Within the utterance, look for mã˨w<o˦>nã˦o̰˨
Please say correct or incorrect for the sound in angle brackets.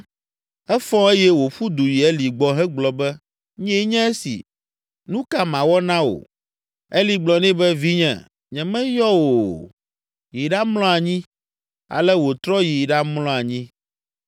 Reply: incorrect: ɔ˦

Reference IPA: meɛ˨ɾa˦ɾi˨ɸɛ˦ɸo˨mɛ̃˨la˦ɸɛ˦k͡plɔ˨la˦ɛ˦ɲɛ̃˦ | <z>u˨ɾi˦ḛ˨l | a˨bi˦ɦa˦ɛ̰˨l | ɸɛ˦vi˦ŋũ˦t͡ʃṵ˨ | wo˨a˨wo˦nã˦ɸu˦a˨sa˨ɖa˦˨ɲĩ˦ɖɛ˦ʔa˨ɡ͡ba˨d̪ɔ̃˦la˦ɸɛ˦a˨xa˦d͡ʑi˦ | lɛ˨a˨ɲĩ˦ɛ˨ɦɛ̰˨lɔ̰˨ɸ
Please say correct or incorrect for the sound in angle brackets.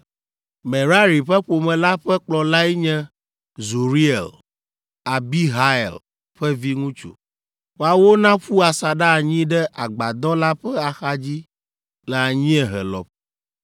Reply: correct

